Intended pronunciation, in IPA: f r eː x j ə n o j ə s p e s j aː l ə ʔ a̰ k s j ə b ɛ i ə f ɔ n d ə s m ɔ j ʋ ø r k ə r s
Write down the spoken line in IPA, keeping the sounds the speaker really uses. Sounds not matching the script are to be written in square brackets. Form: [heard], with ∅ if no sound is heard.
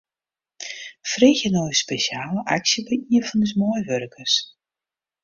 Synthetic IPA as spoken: f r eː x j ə n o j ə s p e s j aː l ə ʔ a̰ k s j ə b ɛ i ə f ɔ n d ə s m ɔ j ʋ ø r k ə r s